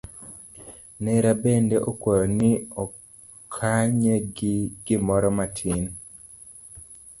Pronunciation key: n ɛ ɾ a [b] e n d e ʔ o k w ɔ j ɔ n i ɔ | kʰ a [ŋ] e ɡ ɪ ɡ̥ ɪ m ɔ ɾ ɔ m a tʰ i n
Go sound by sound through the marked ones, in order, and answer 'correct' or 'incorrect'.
correct, incorrect

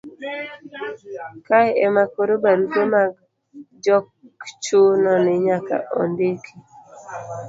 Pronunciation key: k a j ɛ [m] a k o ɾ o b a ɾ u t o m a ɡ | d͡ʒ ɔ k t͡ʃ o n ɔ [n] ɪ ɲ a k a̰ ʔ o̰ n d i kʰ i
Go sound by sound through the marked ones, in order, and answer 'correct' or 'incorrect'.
correct, correct

